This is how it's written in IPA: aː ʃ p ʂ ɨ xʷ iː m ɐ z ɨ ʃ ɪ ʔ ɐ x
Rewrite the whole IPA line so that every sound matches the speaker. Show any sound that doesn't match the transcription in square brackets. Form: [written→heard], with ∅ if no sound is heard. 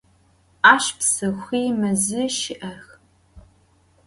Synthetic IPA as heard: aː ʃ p [ʂ→s] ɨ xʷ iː m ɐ z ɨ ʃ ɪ ʔ ɐ x